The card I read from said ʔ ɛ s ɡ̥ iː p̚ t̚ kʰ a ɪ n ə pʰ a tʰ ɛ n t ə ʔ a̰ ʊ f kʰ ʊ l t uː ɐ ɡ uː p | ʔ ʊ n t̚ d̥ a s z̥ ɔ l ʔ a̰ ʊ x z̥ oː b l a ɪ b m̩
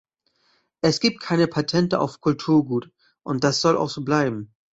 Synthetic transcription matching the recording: ʔ ɛ s ɡ̥ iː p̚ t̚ kʰ a ɪ n ə pʰ a tʰ ɛ n t ə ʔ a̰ ʊ f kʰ ʊ l tʰ uː ɐ ɡ uː t | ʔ ʊ n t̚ d̥ a s z̥ ɔ l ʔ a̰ ʊ x z̥ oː b l a ɪ b m̩